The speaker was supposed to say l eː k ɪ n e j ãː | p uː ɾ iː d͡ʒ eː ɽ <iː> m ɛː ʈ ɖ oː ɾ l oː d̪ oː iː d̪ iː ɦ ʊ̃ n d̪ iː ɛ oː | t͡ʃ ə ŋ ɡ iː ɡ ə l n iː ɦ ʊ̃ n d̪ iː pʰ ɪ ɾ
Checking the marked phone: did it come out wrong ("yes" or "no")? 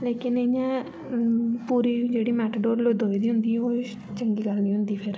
no